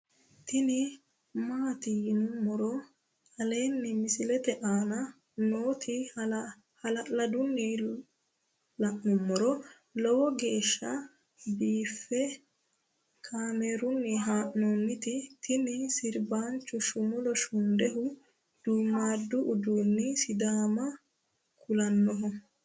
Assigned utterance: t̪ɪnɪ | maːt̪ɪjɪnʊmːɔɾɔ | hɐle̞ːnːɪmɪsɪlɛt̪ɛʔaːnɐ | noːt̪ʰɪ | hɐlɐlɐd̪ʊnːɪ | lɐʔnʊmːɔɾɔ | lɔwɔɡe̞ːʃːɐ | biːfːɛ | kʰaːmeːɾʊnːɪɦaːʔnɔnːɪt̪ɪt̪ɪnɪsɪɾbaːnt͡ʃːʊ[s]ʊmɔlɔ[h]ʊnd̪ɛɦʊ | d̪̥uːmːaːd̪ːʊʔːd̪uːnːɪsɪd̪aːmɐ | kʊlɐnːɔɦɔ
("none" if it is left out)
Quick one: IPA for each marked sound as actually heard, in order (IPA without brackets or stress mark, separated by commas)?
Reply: ʃ, ʃ